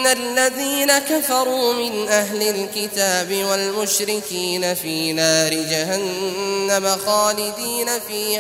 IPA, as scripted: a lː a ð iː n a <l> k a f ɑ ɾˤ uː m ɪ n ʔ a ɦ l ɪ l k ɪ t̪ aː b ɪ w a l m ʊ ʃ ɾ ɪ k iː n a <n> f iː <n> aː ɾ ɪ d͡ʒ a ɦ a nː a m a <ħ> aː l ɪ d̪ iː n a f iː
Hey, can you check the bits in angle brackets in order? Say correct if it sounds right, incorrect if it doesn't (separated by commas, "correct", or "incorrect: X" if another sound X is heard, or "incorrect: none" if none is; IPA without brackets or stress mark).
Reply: incorrect: none, incorrect: none, correct, incorrect: x